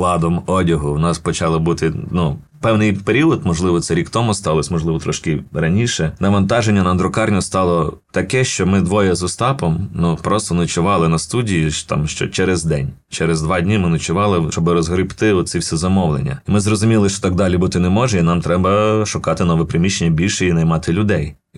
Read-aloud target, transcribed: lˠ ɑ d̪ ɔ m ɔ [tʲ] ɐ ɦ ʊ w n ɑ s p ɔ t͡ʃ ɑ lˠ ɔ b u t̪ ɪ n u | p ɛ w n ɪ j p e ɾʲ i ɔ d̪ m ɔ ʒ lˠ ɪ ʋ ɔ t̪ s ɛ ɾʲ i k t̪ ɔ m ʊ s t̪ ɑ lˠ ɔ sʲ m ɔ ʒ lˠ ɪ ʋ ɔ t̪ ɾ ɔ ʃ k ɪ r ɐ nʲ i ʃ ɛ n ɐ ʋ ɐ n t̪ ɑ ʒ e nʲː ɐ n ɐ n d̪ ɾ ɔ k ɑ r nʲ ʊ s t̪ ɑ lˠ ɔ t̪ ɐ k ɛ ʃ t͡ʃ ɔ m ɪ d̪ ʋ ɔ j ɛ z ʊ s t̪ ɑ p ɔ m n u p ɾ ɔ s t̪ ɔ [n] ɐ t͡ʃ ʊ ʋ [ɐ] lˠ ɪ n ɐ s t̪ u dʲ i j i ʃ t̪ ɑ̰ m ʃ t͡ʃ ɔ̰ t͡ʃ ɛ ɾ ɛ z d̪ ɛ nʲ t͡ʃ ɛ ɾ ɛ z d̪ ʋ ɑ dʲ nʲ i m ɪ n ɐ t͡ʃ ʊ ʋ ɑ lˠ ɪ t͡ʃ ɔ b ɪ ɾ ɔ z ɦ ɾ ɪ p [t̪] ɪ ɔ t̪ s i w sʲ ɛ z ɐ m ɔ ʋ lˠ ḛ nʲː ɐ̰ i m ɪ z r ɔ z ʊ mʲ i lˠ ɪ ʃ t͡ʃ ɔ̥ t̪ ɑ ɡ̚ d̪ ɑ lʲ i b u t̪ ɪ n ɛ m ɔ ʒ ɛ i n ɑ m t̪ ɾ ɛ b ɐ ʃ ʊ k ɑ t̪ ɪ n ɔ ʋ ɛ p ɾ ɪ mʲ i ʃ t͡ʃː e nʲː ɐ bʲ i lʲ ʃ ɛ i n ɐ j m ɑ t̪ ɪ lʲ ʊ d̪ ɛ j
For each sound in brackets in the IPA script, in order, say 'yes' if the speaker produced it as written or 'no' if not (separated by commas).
no, yes, no, yes